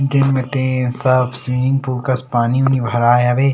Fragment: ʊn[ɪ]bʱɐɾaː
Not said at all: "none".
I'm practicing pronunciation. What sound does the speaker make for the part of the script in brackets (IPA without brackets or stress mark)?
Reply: i